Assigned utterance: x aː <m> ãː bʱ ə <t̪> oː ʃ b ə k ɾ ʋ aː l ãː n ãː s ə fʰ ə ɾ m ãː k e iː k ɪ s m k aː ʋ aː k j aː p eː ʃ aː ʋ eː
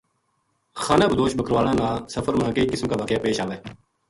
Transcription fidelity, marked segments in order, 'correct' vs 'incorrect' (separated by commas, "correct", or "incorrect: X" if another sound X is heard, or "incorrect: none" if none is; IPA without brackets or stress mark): incorrect: n, incorrect: d̪